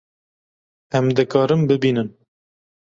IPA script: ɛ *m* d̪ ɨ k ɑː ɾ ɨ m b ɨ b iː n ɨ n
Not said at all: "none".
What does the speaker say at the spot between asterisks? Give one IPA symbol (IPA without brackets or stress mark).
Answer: m